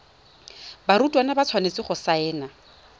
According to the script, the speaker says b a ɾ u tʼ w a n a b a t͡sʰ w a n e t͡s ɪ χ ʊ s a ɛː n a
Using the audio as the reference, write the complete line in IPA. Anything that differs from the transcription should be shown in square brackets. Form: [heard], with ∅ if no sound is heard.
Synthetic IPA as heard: b a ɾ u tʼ w a n a b a t͡sʰ w a n e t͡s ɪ χ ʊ s a ɛː n a